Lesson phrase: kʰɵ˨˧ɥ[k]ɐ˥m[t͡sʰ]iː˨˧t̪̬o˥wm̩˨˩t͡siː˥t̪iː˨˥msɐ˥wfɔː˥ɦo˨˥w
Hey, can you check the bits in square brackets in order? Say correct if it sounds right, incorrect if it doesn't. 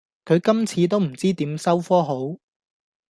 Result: correct, correct

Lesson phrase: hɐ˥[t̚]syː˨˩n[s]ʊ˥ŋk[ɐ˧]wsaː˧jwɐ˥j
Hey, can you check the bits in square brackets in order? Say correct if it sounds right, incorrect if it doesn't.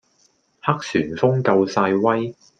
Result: incorrect: k̚, incorrect: f, correct

